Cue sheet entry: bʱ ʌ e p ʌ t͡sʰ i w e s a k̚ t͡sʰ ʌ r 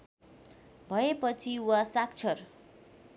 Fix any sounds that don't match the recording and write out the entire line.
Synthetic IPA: bʱ ʌ e p ʌ t͡sʰ i w a s a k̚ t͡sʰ ʌ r